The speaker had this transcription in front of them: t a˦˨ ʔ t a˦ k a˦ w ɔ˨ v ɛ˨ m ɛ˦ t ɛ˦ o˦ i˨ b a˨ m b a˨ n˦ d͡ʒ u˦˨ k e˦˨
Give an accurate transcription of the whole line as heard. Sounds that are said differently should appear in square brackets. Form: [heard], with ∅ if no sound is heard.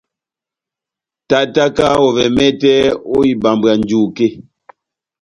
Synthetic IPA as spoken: t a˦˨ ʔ t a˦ k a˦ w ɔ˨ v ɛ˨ m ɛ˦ t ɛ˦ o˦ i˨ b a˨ m b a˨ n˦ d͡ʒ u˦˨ k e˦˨